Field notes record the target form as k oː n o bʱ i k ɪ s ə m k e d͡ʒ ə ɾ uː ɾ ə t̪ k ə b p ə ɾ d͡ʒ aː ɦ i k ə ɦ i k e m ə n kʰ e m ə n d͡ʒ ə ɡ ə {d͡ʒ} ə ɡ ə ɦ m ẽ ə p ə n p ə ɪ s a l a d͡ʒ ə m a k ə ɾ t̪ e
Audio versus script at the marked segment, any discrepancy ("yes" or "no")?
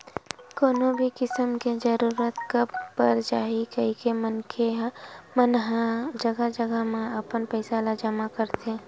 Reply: no